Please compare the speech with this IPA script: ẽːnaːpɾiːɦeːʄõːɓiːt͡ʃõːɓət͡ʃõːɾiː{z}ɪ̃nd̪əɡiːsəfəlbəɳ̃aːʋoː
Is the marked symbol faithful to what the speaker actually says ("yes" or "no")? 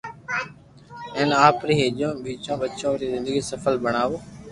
yes